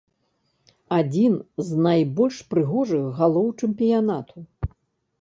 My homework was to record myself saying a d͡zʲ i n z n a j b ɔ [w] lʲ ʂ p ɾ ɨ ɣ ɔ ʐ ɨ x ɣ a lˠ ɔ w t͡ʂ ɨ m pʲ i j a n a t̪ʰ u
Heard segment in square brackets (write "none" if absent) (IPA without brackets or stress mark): none